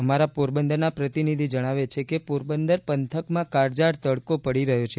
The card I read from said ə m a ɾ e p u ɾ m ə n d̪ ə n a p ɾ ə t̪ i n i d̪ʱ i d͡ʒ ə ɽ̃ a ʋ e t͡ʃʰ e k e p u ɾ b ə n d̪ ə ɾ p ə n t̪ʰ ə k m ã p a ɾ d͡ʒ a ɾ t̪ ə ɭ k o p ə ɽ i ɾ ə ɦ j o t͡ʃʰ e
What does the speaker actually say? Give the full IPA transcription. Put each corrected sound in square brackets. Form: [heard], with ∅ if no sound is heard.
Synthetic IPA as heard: ə m a ɾ [a] p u ɾ [b] ə n d̪ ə n a p ɾ ə t̪ i n i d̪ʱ i d͡ʒ ə ɽ̃ a ʋ e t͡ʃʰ e k e p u ɾ b ə n d̪ ə ɾ p ə n t̪ʰ ə k m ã [k] a ɾ d͡ʒ a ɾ t̪ ə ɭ k o p ə ɽ i ɾ ə ɦ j o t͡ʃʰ e

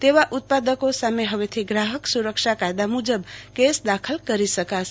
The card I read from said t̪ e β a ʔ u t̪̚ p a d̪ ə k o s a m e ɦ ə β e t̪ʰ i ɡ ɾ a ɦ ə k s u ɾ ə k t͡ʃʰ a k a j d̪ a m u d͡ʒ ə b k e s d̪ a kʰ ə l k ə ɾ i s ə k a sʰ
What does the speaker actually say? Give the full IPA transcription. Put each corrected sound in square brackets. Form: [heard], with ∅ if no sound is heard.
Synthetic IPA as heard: t̪ e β a ʔ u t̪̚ p a d̪ ə k o s a m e ɦ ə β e t̪ʰ i ɡ ɾ a ɦ ə k s u ɾ ə k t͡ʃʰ a k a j d̪ a m u d͡ʒ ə b k e s d̪ a kʰ ə l k ə ɾ i s ə k a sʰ

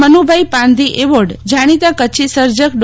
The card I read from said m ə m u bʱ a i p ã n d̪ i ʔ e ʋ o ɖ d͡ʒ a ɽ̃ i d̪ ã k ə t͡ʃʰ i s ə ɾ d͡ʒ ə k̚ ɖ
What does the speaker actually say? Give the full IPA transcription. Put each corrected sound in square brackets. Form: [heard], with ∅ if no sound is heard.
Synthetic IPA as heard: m ə [n] u bʱ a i p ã n d̪ i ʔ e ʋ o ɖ d͡ʒ a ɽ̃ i [t̪] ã k ə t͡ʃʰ i s ə ɾ d͡ʒ ə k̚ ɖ

